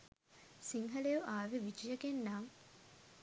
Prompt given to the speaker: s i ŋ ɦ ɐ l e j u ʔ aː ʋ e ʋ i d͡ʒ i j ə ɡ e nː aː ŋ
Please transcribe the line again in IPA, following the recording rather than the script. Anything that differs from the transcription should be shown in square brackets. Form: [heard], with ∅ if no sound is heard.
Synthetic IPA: s i ŋ ɦ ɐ l e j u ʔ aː ʋ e ʋ i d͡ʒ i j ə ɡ e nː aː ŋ